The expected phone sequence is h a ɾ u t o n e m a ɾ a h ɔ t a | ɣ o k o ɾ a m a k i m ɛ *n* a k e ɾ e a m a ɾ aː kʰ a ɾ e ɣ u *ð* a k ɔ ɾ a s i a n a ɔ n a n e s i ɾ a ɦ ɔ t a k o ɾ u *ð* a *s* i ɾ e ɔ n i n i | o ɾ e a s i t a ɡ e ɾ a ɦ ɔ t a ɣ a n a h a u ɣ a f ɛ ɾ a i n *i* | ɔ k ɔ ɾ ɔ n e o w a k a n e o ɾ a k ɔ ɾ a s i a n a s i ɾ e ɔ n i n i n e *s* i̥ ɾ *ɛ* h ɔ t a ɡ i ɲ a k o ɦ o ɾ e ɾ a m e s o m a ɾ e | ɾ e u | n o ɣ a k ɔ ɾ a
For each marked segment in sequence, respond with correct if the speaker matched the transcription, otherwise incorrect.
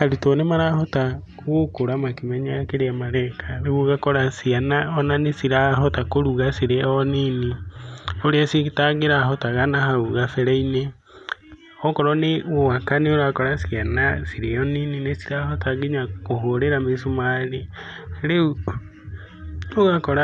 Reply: incorrect: ɲ, incorrect: ɣ, incorrect: ɣ, correct, incorrect: e, correct, incorrect: a

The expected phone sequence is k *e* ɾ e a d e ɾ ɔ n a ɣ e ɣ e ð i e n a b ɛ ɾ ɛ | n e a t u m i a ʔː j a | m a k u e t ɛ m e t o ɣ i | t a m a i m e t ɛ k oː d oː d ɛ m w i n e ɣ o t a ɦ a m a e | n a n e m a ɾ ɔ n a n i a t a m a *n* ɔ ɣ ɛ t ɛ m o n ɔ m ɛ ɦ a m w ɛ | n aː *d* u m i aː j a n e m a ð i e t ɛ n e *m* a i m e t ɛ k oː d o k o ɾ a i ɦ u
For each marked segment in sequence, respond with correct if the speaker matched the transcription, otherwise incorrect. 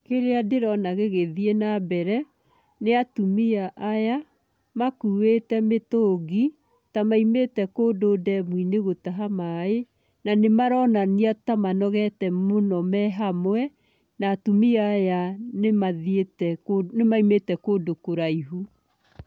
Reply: correct, correct, incorrect: t, correct

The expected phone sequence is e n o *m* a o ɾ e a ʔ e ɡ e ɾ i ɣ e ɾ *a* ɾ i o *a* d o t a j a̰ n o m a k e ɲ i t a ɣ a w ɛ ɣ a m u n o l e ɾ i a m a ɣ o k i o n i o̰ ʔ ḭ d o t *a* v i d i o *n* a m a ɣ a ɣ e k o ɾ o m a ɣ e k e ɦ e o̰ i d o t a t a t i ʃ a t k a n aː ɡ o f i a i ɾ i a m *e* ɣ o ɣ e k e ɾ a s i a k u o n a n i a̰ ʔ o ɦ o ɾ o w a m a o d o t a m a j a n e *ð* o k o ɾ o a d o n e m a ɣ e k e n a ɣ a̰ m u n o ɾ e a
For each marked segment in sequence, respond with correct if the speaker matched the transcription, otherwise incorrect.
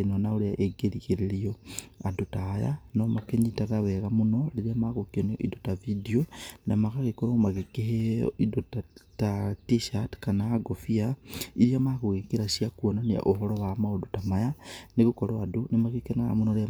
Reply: incorrect: n, incorrect: e, correct, correct, correct, incorrect: a, incorrect: ɣ

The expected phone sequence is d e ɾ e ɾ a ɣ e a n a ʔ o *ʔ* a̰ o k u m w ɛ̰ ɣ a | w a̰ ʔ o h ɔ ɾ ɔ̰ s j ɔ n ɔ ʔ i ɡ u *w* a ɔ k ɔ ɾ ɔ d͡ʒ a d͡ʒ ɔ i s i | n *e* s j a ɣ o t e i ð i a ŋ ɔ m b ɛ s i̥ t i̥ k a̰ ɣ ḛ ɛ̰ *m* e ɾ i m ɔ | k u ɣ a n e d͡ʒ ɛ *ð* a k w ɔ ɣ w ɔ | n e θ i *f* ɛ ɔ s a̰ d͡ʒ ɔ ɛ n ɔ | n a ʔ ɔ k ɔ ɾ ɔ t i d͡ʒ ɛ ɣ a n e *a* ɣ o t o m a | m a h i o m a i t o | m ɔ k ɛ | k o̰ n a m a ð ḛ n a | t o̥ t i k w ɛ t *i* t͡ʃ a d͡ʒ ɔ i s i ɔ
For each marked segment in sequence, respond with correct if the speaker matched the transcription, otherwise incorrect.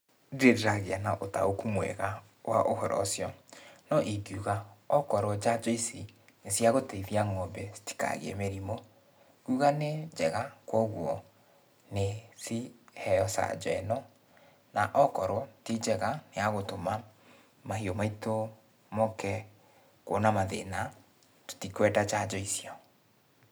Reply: incorrect: t, incorrect: ɣ, correct, correct, incorrect: ɣ, incorrect: h, correct, incorrect: a

